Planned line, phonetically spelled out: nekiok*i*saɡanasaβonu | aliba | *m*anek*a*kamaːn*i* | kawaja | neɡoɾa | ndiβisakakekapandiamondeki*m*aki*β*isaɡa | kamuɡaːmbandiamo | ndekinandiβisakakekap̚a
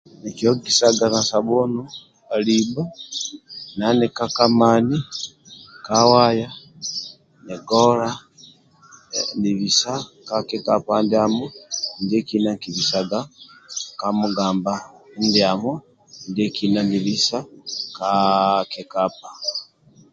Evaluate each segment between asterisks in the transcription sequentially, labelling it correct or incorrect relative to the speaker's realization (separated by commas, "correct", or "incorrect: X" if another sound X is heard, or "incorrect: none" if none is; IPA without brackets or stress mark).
correct, incorrect: n, correct, correct, incorrect: n, correct